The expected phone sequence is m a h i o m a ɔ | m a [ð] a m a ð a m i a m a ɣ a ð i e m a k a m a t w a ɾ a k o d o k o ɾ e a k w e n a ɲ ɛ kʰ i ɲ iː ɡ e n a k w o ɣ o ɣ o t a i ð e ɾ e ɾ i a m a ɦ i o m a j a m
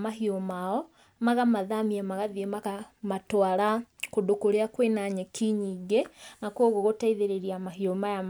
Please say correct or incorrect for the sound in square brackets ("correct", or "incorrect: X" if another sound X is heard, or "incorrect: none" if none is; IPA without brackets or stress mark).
incorrect: ɣ